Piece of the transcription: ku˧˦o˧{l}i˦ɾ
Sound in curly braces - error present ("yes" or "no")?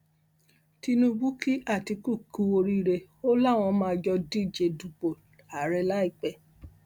yes